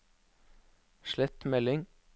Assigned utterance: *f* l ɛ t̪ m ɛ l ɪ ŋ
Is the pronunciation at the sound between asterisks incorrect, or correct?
incorrect: ʃ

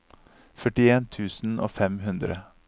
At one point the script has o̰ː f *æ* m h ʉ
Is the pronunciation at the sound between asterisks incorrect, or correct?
incorrect: ɛ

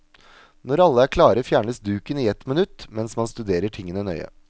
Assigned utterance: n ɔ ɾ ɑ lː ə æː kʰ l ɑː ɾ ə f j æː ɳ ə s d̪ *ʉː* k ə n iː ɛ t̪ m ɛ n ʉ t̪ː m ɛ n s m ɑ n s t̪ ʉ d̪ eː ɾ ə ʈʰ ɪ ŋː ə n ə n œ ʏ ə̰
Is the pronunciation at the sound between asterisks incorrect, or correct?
correct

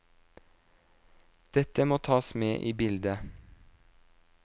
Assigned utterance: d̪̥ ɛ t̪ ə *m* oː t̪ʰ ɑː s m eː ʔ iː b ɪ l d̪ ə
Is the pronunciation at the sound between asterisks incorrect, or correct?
correct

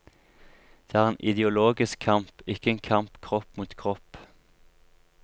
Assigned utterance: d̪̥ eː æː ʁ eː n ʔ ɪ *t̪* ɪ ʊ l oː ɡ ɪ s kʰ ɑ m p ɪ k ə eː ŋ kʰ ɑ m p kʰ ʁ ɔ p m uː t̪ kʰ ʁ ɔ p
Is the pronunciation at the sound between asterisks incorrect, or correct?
incorrect: d̪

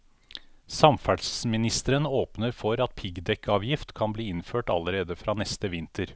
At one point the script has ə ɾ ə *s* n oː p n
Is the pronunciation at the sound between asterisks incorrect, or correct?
incorrect: none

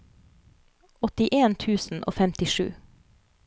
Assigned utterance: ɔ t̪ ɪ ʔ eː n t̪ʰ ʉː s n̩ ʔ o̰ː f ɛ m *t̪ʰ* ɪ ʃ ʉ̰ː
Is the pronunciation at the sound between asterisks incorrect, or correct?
incorrect: t̪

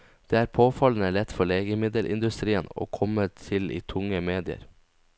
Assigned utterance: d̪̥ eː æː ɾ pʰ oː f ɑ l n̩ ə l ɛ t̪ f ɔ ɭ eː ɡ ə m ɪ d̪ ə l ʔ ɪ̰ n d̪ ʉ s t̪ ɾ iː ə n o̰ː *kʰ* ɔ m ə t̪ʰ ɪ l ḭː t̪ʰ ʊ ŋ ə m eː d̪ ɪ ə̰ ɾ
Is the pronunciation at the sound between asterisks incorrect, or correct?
correct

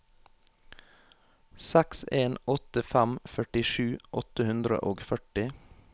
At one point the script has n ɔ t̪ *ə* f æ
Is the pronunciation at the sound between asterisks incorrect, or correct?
correct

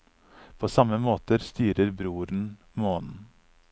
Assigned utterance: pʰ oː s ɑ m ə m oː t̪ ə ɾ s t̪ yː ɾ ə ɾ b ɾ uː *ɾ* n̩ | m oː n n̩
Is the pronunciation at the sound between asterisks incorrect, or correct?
correct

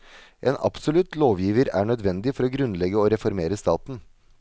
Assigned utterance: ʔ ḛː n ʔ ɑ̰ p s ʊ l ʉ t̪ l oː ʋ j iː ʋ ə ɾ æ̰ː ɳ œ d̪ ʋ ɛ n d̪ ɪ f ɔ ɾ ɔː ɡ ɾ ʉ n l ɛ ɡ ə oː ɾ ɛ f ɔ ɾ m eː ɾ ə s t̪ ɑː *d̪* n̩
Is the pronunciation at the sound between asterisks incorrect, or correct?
incorrect: t̪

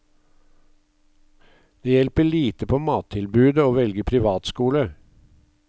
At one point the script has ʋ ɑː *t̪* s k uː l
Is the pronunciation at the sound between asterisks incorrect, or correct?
correct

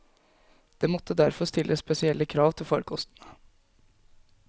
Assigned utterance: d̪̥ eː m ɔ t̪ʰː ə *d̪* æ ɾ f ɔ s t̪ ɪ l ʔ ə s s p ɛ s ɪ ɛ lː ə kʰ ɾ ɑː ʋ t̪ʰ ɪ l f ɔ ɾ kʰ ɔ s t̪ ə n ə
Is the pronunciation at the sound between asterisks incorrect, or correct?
correct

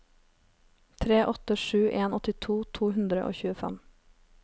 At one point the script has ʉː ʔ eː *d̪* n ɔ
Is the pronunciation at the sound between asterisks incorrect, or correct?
incorrect: none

